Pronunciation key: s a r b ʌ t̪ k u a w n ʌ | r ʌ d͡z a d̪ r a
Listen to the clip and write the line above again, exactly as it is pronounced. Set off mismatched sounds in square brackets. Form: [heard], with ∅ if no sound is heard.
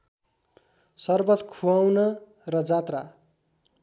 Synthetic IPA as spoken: s [ʌ] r b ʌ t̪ [kʰ] u a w n ʌ | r ʌ d͡z a [t̪] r a